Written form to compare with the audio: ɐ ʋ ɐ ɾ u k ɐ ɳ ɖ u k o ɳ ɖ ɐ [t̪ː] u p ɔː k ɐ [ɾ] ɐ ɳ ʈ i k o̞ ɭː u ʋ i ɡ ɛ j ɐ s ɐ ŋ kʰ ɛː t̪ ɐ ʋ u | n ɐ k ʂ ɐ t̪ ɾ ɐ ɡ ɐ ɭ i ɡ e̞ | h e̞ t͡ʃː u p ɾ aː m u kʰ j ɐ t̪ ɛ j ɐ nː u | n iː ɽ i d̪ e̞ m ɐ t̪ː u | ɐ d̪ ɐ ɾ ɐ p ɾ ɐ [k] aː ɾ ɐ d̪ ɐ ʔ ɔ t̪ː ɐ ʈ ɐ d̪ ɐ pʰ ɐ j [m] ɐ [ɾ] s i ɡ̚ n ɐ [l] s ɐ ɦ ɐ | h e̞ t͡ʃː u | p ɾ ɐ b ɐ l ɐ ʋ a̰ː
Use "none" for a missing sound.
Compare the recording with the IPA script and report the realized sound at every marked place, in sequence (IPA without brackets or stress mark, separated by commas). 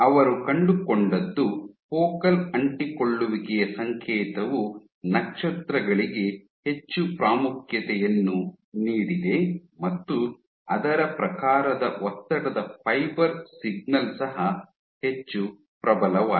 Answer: d̪ː, l, k, b, ɾ, l